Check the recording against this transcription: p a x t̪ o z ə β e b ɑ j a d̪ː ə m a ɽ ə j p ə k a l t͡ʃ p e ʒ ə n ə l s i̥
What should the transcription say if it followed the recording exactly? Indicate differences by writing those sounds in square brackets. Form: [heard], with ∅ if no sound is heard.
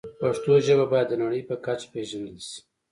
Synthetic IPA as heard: p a [ʂ] t̪ o [ʒ] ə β [a] b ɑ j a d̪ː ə [n] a ɽ ə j p ə k a [∅] t͡ʃ p e ʒ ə n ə l s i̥